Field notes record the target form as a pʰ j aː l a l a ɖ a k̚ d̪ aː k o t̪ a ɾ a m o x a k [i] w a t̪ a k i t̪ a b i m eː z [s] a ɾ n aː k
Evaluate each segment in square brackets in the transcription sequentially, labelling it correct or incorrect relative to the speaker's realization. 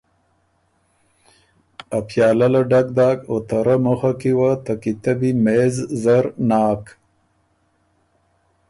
correct, incorrect: z

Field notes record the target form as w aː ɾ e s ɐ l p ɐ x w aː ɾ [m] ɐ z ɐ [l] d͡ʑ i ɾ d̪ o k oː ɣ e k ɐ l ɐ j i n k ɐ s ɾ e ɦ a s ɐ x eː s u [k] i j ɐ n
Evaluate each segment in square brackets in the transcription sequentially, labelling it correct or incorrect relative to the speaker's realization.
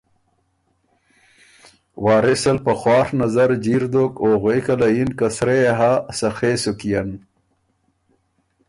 incorrect: n, incorrect: ɾ, correct

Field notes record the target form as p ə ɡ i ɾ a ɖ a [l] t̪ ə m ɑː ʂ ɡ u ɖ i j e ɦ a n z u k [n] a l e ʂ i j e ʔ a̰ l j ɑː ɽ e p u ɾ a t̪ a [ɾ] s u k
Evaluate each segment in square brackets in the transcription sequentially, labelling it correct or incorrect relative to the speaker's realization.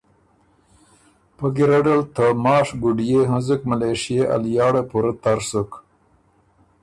correct, incorrect: m, correct

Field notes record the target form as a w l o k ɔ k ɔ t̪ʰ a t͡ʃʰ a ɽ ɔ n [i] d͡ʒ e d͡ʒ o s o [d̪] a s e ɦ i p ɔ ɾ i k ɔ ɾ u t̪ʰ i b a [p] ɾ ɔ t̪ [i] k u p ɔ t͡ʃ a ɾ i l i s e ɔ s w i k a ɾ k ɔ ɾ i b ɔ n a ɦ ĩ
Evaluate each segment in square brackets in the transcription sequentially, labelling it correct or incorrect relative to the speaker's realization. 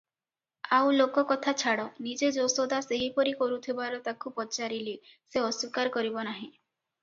correct, correct, incorrect: none, incorrect: a

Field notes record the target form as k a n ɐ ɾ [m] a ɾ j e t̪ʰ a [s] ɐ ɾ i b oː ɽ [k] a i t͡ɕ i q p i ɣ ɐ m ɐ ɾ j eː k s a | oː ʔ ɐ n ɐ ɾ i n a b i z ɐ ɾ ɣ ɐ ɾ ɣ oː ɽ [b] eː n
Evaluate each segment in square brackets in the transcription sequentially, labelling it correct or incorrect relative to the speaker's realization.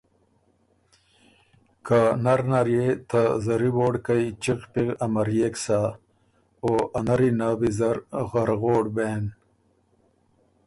incorrect: n, incorrect: z, correct, correct

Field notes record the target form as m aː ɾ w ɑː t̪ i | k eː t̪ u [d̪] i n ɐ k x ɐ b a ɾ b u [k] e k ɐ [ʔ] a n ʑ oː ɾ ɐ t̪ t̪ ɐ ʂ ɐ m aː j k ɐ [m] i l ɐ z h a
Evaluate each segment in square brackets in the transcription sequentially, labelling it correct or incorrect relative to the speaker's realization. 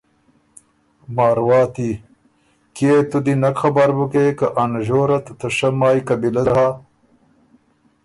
correct, correct, correct, incorrect: b

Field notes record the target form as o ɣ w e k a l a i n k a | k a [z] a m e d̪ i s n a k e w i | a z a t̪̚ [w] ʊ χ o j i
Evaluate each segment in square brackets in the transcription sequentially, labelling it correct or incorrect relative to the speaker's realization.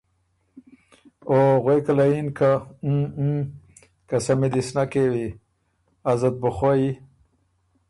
incorrect: s, incorrect: b

